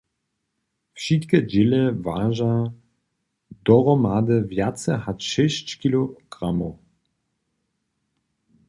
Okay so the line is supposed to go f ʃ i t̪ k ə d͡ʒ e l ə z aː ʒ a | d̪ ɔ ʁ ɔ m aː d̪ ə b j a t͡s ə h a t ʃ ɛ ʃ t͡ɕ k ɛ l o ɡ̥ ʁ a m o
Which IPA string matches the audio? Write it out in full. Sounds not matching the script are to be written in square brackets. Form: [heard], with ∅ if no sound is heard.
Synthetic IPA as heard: f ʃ i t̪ k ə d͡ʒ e l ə [v] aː ʒ a | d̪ ɔ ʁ ɔ m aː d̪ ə [v] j a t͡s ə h a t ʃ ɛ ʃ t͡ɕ k [i] l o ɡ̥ ʁ a m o